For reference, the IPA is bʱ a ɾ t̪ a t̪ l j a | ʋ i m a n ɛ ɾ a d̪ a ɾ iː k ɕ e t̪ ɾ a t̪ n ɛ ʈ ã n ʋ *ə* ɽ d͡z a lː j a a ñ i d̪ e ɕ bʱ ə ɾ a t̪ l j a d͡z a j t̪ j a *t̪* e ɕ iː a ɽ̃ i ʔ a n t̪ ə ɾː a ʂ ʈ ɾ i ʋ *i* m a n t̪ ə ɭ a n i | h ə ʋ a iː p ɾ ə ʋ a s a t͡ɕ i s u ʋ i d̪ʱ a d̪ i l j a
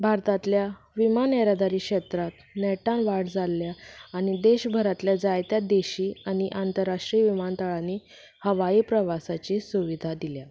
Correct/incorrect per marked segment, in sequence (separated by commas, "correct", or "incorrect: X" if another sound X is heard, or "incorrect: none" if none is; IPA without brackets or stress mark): incorrect: a, incorrect: d̪, correct